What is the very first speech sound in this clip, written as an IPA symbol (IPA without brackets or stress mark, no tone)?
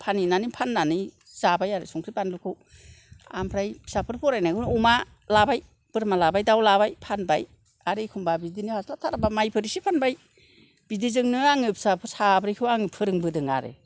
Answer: pʰ